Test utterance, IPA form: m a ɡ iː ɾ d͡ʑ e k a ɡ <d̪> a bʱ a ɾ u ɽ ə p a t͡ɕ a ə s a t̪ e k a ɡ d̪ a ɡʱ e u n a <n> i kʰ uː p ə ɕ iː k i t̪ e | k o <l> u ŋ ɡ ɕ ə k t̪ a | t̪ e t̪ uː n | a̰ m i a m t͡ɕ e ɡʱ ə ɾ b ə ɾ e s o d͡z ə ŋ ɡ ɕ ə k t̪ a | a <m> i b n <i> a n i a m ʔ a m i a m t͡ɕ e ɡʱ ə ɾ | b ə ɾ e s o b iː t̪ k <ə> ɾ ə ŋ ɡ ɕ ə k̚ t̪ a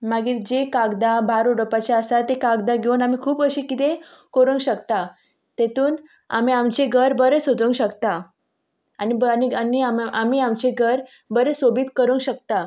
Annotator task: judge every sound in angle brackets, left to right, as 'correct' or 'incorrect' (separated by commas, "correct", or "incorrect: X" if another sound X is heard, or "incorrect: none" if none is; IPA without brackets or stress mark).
correct, incorrect: m, incorrect: ɾ, incorrect: n, correct, correct